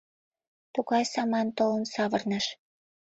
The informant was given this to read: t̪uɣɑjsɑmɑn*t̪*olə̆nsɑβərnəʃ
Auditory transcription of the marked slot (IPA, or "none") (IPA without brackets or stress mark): t̪